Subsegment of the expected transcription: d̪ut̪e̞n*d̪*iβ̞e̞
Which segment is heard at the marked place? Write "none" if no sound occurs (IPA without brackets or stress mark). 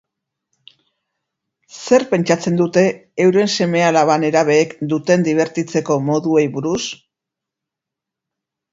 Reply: d̪